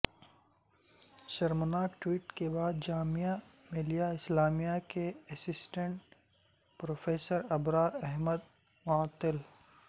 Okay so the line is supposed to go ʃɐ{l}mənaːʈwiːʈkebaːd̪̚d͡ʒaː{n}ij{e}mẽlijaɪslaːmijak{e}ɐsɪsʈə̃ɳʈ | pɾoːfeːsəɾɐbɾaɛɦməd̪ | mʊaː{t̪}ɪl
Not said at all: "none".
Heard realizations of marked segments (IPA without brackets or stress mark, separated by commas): ɾ, m, a, e, t̪